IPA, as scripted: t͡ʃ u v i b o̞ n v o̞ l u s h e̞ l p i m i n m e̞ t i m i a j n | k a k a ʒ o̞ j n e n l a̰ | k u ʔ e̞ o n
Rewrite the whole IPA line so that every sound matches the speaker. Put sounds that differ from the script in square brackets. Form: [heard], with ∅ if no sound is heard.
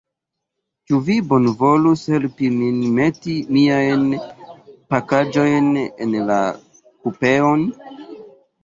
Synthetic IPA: t͡ʃ u v i b o̞ n v o̞ l u s h e̞ l p i m i n m e̞ t i m i a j n | [p] a k a [d͡ʒ] o̞ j n e n l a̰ | k u [p] e̞ o n

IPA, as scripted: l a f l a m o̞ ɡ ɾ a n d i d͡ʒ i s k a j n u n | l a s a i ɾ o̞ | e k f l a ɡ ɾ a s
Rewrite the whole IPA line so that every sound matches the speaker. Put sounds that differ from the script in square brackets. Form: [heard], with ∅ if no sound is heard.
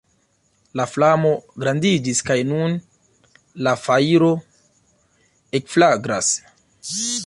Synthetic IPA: l a f l a m o̞ ɡ ɾ a n d i d͡ʒ i s k a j n u n | l a [f] a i ɾ o̞ | e k f l a ɡ ɾ a s

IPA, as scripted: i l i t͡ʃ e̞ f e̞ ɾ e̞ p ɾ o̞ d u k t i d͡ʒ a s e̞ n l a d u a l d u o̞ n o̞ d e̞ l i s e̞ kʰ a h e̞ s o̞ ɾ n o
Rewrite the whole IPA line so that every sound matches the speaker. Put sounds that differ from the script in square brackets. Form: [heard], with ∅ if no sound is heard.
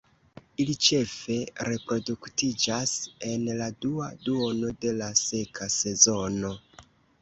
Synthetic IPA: i l i t͡ʃ e̞ f e̞ ɾ e̞ p ɾ o̞ d u k t i d͡ʒ a s e̞ n l a d u a [∅] d u o̞ n o̞ d e̞ l [a] s e̞ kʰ a [s] e̞ [z] o̞ [∅] n o

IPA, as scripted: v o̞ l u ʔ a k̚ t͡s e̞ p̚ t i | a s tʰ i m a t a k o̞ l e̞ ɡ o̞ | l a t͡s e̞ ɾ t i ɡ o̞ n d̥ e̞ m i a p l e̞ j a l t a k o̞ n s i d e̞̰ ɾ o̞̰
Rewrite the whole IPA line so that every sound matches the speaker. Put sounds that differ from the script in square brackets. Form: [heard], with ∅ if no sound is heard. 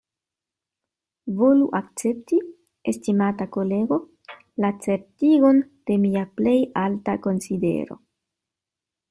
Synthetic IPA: v o̞ l u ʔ a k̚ t͡s e̞ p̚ t i | [e] s [t] i m a t a k o̞ l e̞ ɡ o̞ | l a t͡s e̞ ɾ t i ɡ o̞ n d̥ e̞ m i a p l e̞ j a l t a k o̞ n s i d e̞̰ ɾ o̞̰

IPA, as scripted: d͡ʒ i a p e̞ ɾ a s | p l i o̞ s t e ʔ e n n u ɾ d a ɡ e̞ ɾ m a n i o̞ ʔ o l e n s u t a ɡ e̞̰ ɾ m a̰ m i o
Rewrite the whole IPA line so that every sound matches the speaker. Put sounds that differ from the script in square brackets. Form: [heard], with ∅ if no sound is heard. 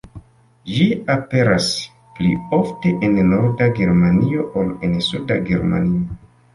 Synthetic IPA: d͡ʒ i a p e̞ ɾ a s | p l i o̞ [f] t e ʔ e n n [o] ɾ d a ɡ e̞ ɾ m a n i o̞ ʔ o l e n s u [d] a ɡ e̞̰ ɾ m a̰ [n] i o

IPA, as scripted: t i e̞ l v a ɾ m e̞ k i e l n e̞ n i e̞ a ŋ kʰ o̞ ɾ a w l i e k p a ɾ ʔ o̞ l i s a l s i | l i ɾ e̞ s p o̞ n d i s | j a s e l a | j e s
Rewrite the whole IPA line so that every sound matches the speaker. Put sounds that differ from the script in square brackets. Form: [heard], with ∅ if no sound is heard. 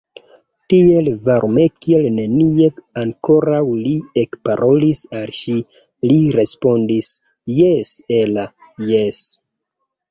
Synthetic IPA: t i e̞ l v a ɾ m e̞ k i e l n e̞ n i e̞ a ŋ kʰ o̞ ɾ a w l i e k p a ɾ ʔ o̞ l i s a l [ʃ] i | l i ɾ e̞ s p o̞ n d i s | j [e] s e l a | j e s

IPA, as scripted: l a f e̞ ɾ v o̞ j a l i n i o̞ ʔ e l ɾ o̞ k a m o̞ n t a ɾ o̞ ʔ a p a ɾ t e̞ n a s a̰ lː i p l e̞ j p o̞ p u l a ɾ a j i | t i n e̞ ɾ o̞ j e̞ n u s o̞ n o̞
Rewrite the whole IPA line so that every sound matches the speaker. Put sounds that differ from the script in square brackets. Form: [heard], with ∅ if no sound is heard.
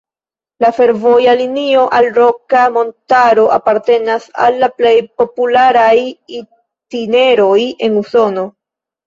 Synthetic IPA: l a f e̞ ɾ v o̞ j a l i n i o̞ ʔ [a] l ɾ o̞ k a m o̞ n t a ɾ o̞ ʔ a p a ɾ t e̞ n a s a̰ lː [a] p l e̞ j p o̞ p u l a ɾ a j i | t i n e̞ ɾ o̞ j e̞ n u s o̞ n o̞

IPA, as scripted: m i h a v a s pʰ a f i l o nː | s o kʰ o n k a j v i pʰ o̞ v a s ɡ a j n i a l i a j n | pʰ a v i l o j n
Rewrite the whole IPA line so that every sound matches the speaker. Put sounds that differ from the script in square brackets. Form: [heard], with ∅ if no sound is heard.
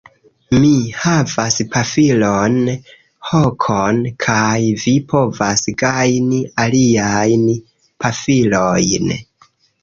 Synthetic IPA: m i h a v a s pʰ a f i l o [n] | [h] o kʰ o n [kʰ] a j v i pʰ o̞ v a s ɡ a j n i a l i a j n | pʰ a [f] i l o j n

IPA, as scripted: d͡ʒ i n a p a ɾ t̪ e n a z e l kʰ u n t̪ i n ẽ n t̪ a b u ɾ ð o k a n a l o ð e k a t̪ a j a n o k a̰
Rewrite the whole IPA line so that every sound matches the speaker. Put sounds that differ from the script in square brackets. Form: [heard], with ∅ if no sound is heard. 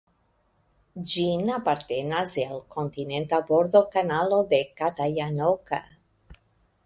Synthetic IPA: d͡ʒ i n a p a ɾ t̪ e n a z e l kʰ [o] n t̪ i n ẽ n t̪ a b [o] ɾ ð o k a n a l o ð e k a t̪ a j a n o k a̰

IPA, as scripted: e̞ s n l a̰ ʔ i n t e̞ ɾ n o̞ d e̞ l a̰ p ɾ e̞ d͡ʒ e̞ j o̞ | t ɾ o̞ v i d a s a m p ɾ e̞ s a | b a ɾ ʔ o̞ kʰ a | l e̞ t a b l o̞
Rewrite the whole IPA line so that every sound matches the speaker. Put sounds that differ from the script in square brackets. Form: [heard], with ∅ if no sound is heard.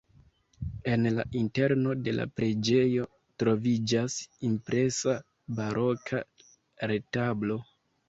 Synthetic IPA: e̞ [∅] n l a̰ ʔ i n t e̞ ɾ n o̞ d e̞ l a̰ p ɾ e̞ d͡ʒ e̞ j o̞ | t ɾ o̞ v i [d͡ʒ] a s [i] m p ɾ e̞ s a | b a ɾ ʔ o̞ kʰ a | [ɾ] e̞ t a b l o̞

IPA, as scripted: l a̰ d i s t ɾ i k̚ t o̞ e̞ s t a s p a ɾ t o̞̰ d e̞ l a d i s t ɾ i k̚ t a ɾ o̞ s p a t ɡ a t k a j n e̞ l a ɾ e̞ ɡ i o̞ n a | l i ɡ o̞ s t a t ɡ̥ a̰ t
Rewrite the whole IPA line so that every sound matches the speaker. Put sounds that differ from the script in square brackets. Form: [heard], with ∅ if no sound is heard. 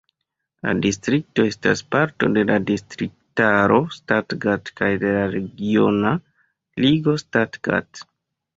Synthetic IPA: l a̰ d i s t ɾ i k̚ t o̞ e̞ s t a s p a ɾ t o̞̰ d e̞ l a d i s t ɾ i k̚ t a ɾ o̞ s [t] a t ɡ a t k a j [d] e̞ l a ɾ e̞ ɡ i o̞ n a | l i ɡ o̞ s t a t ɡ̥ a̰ t

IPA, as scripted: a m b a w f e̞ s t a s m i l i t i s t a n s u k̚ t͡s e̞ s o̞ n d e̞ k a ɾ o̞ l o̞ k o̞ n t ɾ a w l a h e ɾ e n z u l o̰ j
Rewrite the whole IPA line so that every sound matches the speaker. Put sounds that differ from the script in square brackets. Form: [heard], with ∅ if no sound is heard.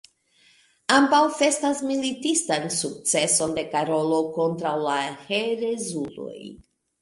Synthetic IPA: a m b a w f e̞ s t a s m i l i t i s t a n s u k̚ t͡s e̞ s o̞ n d e̞ k a ɾ o̞ l o̞ k o̞ n t ɾ a w l a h e ɾ e [∅] z u l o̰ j

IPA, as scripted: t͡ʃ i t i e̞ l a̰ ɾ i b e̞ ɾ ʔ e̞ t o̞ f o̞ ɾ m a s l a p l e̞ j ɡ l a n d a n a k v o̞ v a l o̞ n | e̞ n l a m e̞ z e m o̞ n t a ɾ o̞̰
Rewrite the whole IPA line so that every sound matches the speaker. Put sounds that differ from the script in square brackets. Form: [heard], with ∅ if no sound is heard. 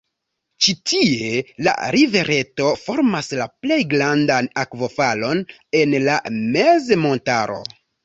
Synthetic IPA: t͡ʃ i t i e̞ l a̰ ɾ i [v] e̞ ɾ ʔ e̞ t o̞ f o̞ ɾ m a s l a p l e̞ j ɡ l a n d a n a k v o̞ [f] a l o̞ n | e̞ n l a m e̞ z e m o̞ n t a ɾ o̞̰

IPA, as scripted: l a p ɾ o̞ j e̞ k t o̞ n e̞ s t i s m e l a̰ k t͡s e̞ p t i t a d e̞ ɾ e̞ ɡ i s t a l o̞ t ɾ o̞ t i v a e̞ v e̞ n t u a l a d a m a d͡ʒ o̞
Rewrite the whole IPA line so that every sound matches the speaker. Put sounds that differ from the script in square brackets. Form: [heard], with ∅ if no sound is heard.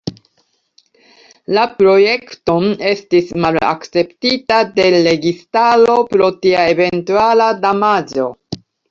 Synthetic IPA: l a p ɾ o̞ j e̞ k t o̞ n e̞ s t i s m [a] l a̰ k t͡s e̞ p t i t a d e̞ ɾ e̞ ɡ i s t a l o̞ [p] ɾ o̞ t i [∅] a e̞ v e̞ n t u a l a d a m a d͡ʒ o̞

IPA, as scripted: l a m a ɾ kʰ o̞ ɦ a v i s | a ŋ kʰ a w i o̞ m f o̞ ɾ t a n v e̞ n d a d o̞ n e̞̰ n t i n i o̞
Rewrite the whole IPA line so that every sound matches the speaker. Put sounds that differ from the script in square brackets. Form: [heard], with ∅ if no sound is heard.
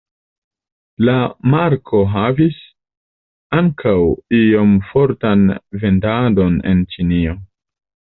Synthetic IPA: l a m a ɾ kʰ o̞ ɦ a v i s | a ŋ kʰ a w i o̞ m f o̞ ɾ t a n v e̞ n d a d o̞ n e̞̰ n [t͡ʃ] i n i o̞

